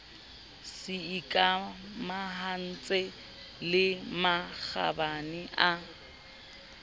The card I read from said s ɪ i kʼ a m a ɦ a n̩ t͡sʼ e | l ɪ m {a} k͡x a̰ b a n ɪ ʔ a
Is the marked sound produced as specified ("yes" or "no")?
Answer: yes